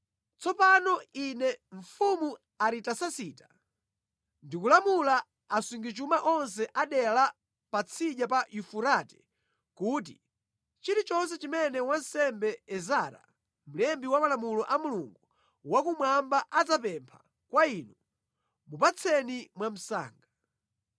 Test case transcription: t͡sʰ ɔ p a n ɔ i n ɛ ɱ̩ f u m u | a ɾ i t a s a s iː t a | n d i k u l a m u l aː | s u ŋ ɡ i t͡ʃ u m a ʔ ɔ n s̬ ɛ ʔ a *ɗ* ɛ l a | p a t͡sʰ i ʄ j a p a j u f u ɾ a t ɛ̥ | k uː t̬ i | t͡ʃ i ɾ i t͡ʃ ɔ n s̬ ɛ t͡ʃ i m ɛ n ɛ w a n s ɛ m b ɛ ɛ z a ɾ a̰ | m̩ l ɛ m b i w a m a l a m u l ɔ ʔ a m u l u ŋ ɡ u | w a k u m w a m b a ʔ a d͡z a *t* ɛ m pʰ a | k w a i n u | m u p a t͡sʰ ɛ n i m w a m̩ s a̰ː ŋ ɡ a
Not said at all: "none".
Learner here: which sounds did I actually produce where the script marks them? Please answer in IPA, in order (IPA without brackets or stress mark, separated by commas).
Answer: ɗ, p